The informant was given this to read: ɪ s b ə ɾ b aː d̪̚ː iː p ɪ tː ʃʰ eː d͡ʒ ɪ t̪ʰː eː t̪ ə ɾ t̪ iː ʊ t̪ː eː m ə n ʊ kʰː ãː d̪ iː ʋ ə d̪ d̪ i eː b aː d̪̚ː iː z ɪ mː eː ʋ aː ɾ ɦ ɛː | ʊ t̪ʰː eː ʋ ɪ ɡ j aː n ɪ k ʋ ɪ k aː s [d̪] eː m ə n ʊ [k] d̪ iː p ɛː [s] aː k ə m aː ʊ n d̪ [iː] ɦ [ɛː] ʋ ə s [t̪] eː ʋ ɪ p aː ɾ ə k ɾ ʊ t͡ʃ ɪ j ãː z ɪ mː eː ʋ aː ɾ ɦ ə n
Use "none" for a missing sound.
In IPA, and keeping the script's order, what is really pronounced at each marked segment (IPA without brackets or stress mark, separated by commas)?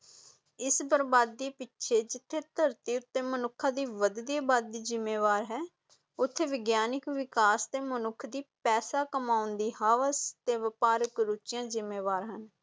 t̪, kʰ, s, iː, aː, t̪